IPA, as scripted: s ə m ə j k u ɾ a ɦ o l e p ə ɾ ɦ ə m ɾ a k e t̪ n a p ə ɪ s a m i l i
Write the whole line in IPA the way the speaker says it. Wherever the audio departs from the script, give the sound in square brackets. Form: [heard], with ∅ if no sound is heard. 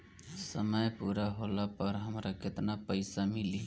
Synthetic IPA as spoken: s ə m ə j [p] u ɾ a ɦ o l [a] p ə ɾ ɦ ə m ɾ a k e t̪ n a p ə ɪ s a m i l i